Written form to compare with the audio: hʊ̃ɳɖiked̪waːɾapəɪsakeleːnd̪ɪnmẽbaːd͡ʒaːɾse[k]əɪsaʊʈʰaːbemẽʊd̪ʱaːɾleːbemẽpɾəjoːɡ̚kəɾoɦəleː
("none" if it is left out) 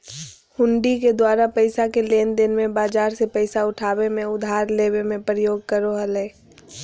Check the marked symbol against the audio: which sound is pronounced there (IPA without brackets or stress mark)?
p